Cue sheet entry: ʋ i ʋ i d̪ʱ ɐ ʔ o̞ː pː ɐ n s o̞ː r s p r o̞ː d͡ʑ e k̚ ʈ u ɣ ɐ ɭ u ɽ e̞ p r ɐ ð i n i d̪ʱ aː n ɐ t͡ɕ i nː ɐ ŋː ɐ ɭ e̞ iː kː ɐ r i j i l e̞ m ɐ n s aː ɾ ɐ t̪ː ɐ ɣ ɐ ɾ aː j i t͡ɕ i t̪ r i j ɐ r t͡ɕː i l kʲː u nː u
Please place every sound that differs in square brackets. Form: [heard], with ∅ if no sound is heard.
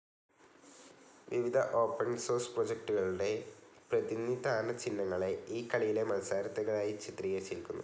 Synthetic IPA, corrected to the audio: ʋ i ʋ i d̪ʱ ɐ ʔ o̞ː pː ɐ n s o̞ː r s p r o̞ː d͡ʑ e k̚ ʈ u ɣ ɐ ɭ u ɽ e̞ p r ɐ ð i n i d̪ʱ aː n ɐ t͡ɕ i nː ɐ ŋː ɐ ɭ e̞ iː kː ɐ [ɭ] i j i l e̞ m ɐ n s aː ɾ ɐ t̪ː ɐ ɣ ɐ [ɭ] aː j i t͡ɕ i t̪ r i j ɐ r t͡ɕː i l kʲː u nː u

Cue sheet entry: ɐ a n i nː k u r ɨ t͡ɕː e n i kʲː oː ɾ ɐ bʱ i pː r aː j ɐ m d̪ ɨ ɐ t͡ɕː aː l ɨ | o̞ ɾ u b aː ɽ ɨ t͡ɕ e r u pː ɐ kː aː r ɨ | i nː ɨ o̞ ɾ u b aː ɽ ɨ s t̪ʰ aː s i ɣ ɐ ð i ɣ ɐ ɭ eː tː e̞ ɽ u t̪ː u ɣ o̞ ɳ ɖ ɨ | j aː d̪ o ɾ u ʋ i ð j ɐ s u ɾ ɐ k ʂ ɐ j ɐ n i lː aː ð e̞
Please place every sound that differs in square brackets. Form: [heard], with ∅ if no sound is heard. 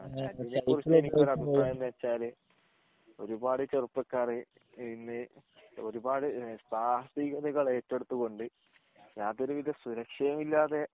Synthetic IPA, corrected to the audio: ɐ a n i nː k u r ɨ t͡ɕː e n i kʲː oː ɾ ɐ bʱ i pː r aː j ɐ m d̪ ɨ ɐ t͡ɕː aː l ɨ | o̞ ɾ u b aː ɽ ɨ t͡ɕ e r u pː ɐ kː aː r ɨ | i nː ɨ o̞ ɾ u b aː ɽ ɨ s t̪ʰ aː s i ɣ ɐ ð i ɣ ɐ ɭ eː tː e̞ ɽ u t̪ː u ɣ o̞ ɳ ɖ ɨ | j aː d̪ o ɾ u ʋ i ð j ɐ s u ɾ ɐ k ʂ ɐ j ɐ [m] i lː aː ð e̞

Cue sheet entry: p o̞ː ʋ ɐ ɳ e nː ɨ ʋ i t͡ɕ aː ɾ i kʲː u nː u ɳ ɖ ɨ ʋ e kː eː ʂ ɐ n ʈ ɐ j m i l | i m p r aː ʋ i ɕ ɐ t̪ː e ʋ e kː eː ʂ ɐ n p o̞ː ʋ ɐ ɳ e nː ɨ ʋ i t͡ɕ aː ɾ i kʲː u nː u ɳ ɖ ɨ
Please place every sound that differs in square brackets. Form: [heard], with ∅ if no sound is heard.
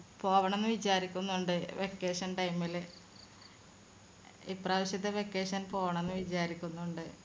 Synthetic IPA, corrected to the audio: p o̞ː ʋ ɐ ɳ e nː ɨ ʋ i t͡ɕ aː ɾ i kʲː u nː u ɳ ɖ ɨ ʋ e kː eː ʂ ɐ n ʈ ɐ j m i l | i [∅] p r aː ʋ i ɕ ɐ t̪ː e ʋ e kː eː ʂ ɐ n p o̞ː ʋ ɐ ɳ e nː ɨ ʋ i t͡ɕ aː ɾ i kʲː u nː u ɳ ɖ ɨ

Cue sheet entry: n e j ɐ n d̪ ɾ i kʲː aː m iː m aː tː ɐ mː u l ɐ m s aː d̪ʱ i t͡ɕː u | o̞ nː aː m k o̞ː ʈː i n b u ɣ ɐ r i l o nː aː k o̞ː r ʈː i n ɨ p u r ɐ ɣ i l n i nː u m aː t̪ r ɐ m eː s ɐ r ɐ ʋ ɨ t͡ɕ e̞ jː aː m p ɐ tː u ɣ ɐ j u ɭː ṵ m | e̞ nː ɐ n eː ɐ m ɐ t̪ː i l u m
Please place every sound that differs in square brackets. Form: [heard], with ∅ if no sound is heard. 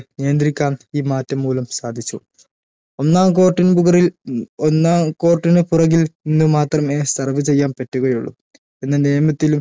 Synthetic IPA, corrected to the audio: n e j ɐ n d̪ ɾ i kʲː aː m iː m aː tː ɐ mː [uː] l ɐ m s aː d̪ʱ i t͡ɕː u | o̞ nː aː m k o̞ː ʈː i n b u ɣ ɐ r i l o nː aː k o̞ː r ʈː i n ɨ p u r ɐ ɣ i l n i nː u m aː t̪ r ɐ m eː s ɐ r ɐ ʋ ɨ t͡ɕ e̞ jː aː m p ɐ tː u ɣ ɐ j u ɭː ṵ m | e̞ nː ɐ n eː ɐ m ɐ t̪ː i l u m

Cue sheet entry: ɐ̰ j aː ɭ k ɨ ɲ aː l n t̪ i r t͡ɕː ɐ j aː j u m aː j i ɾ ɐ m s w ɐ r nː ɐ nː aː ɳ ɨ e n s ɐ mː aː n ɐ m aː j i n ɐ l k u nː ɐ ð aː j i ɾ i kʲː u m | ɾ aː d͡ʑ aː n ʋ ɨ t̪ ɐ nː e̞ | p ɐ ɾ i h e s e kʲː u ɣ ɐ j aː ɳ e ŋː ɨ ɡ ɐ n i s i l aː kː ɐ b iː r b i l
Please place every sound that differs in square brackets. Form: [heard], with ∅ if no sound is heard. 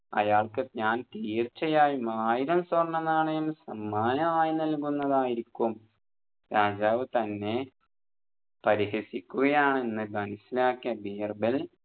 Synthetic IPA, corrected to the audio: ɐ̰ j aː ɭ k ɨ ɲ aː [∅] n t̪ [iː] r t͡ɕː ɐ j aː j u m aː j i ɾ ɐ m s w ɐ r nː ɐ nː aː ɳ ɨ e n s ɐ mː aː n ɐ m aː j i n ɐ l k u nː ɐ ð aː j i ɾ i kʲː u m | ɾ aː d͡ʑ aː [∅] ʋ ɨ t̪ ɐ nː e̞ | p ɐ ɾ i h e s [i] kʲː u ɣ ɐ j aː ɳ e [nː] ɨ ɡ ɐ n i s i l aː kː ɐ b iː r b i l

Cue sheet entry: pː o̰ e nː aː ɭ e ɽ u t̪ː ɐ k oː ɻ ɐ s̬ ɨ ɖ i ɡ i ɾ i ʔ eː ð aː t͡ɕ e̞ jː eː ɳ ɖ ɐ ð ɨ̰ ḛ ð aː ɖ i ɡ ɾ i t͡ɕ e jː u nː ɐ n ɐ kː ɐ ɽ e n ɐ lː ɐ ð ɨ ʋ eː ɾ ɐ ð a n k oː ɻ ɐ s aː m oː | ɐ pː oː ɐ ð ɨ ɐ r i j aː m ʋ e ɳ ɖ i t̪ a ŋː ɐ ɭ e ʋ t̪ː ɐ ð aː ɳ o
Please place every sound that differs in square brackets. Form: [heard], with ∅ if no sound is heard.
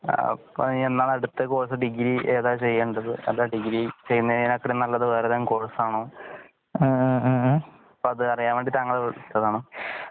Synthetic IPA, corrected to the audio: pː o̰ e nː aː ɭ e ɽ u t̪ː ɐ k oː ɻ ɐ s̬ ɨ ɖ i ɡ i ɾ i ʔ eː ð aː t͡ɕ e̞ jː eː ɳ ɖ ɐ ð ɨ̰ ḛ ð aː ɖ i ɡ ɾ i t͡ɕ e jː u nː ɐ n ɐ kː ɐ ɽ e n ɐ lː ɐ ð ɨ ʋ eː ɾ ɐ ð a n k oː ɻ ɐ s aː [ɳ] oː | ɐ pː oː ɐ ð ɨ ɐ r i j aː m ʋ e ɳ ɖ i t̪ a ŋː ɐ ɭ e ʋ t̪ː ɐ ð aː ɳ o

